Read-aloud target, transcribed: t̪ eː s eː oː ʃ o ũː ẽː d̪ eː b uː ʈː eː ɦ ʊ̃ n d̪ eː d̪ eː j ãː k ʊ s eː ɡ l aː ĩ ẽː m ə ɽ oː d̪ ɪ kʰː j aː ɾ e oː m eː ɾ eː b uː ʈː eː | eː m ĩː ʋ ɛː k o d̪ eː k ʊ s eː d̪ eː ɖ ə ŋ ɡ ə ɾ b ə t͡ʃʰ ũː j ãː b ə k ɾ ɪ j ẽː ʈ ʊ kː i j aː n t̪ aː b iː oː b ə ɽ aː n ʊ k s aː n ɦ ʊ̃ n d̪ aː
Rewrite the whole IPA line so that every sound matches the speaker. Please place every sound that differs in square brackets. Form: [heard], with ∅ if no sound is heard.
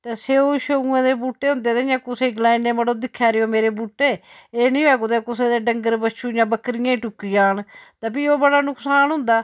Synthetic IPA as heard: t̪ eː s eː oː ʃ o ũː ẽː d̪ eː b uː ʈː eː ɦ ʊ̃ n d̪ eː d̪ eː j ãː k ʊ s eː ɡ l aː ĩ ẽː m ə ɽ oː d̪ ɪ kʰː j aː ɾ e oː m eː ɾ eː b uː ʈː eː | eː [n] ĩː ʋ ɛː k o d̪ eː k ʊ s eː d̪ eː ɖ ə ŋ ɡ ə ɾ b ə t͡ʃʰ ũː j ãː b ə k ɾ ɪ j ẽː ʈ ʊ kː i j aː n t̪ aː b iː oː b ə ɽ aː n ʊ k s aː n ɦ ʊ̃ n d̪ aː